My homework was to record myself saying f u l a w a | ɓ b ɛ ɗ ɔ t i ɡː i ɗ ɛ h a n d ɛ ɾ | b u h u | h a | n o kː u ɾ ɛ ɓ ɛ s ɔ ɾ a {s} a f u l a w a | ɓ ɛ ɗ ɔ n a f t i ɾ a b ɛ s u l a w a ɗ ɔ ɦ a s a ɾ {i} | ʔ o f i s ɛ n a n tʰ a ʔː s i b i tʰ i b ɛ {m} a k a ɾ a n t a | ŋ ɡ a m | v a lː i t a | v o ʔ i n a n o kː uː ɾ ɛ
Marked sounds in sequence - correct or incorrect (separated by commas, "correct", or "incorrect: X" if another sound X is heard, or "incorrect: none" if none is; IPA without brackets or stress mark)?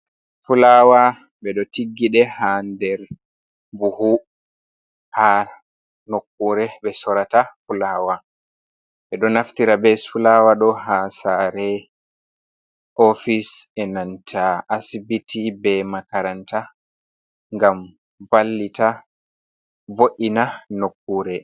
incorrect: t, incorrect: ɛ, correct